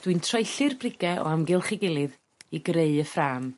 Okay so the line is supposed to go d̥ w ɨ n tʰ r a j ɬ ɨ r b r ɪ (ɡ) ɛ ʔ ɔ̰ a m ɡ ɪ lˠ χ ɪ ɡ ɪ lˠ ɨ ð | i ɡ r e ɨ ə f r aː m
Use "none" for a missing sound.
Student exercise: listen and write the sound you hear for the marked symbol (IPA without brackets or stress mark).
ɡ